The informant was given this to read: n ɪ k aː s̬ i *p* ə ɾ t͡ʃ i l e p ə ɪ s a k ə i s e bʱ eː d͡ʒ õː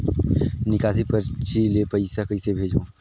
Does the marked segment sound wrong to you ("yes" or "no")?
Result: no